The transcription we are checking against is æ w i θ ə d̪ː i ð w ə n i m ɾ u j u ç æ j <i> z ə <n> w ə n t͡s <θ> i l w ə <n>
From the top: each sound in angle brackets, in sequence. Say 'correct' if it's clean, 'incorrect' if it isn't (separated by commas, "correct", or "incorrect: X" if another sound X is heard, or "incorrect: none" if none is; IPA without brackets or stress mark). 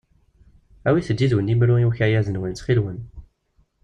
incorrect: æ, correct, incorrect: χ, correct